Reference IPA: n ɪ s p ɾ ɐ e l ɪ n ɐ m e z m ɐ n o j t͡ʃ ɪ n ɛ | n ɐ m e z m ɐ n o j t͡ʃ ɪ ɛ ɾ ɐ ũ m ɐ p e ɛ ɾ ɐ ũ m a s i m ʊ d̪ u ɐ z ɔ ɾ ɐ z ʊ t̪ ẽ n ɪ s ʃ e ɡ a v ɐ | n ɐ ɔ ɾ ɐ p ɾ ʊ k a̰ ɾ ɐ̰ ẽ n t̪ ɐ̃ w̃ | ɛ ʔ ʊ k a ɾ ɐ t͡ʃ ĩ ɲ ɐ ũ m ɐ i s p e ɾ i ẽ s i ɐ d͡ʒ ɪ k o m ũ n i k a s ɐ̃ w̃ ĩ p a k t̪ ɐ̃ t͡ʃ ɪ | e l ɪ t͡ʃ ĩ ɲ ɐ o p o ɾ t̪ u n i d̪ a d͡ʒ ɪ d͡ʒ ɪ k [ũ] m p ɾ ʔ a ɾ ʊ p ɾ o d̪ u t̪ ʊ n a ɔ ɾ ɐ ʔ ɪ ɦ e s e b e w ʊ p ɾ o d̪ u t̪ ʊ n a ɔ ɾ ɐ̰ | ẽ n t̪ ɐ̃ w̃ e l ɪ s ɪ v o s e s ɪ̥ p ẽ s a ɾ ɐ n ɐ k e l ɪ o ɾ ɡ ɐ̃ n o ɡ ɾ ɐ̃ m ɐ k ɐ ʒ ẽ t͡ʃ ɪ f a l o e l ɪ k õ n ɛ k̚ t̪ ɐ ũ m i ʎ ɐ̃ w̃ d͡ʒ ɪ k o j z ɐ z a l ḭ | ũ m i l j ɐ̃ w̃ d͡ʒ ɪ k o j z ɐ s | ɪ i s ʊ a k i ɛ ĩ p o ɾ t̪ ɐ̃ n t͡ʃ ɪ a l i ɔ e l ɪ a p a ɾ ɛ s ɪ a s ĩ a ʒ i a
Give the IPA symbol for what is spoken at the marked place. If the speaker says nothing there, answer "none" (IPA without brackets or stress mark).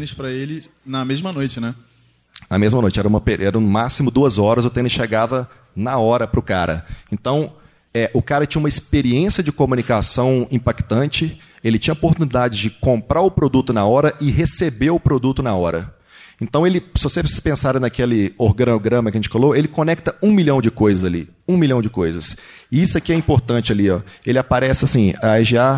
õ